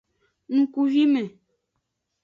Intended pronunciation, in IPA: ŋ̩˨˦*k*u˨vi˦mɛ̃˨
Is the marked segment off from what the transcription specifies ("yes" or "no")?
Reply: no